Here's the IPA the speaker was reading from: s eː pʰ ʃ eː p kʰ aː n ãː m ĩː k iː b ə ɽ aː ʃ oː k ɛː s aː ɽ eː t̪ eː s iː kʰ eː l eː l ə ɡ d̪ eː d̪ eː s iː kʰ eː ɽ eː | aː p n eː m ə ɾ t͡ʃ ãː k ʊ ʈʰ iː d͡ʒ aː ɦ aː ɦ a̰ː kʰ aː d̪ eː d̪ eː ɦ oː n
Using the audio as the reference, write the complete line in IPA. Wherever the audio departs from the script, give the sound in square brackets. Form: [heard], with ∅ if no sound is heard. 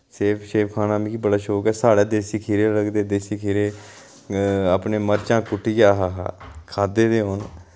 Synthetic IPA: s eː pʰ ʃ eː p kʰ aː n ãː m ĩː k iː b ə ɽ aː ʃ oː k ɛː s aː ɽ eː [d̪] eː s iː kʰ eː [ɾ] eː l ə ɡ d̪ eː d̪ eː s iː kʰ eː [ɾ] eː | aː p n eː m ə ɾ t͡ʃ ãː k ʊ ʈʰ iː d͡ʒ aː ɦ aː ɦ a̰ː kʰ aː d̪ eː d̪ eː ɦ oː n

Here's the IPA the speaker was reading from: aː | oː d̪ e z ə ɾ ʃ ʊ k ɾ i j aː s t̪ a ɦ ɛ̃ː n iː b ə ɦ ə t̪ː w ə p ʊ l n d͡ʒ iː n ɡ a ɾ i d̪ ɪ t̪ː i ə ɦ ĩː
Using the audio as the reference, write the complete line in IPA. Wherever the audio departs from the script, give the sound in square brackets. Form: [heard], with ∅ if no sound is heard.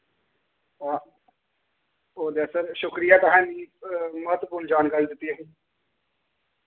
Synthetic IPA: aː | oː d̪ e [s] ə ɾ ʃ ʊ k ɾ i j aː [∅] t̪ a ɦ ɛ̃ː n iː [m] ə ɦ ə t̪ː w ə p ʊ [ɾ] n d͡ʒ [aː] n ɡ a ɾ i d̪ ɪ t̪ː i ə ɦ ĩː

